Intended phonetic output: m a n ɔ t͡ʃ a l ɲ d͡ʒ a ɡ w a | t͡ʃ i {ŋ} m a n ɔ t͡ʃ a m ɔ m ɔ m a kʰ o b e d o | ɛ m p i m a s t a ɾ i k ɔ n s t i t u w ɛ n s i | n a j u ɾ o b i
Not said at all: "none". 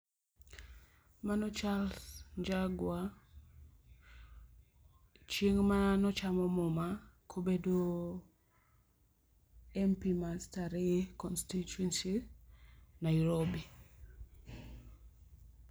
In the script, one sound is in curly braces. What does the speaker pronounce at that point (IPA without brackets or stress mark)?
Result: ŋ